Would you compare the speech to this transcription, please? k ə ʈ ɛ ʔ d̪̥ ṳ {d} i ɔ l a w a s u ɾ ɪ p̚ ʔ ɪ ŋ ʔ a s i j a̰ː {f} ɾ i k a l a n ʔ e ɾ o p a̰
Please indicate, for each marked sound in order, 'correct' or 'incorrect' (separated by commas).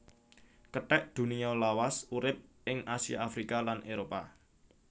incorrect, correct